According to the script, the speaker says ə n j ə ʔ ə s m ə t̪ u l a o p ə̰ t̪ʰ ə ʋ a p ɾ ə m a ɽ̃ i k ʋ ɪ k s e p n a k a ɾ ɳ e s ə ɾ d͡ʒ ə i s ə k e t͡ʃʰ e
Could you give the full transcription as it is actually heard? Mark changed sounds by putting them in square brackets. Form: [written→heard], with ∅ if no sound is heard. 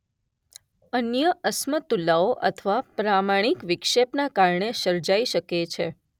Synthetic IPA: ə n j ə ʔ ə s m ə t̪ u l a o [p→ʔ] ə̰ t̪ʰ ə ʋ a p ɾ [ə→a] m a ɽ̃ i k ʋ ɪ k [s→ʃ] e p n a k a ɾ ɳ e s ə ɾ d͡ʒ [ə→a] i [s→ʃ] ə k e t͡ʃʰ e